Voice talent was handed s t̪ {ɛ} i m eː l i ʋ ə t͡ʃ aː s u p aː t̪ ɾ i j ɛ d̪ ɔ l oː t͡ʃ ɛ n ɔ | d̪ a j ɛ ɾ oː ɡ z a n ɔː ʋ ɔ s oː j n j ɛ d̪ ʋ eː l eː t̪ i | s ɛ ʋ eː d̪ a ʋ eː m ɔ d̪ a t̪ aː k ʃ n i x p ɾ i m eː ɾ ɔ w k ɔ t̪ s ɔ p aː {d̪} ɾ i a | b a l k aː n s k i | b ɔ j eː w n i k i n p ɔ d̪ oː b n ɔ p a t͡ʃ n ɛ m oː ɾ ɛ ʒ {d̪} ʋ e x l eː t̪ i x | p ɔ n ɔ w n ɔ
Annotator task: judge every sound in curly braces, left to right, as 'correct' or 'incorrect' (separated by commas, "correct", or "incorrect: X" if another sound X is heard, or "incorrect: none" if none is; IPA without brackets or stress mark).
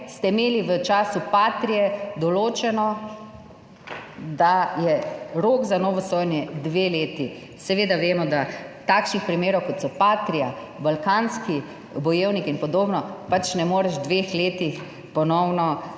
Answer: correct, incorrect: t̪, correct